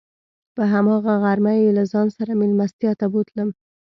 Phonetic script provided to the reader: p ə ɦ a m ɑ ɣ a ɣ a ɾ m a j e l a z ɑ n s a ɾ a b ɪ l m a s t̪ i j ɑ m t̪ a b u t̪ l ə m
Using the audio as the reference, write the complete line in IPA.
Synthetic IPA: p ə ɦ a m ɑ ɣ a ɣ a ɾ m a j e l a z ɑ n s a ɾ a m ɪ l m a s t̪ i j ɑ t̪ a b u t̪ l ə m